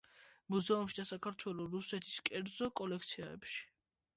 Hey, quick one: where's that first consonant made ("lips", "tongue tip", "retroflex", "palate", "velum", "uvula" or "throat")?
lips